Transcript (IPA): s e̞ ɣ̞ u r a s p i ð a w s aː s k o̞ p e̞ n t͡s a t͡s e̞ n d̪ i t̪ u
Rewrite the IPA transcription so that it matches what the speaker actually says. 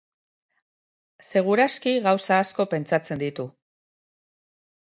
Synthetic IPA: s e̞ ɣ̞ u ɾ a s k i ɣ a w s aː s k o̞ p e̞ n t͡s a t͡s e̞ n d̪ i t̪ u